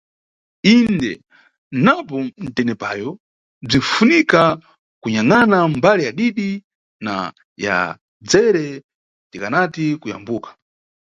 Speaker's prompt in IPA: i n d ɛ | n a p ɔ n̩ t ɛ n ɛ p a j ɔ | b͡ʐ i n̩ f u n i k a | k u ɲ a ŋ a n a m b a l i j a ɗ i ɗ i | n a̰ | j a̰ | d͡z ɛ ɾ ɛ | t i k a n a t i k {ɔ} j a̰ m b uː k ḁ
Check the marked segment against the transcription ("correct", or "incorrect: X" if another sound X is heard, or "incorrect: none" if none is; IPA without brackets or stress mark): incorrect: u